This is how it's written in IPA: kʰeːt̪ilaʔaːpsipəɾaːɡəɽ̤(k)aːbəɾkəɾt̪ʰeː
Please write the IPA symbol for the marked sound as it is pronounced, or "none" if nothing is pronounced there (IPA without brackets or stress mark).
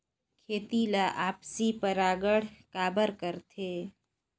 k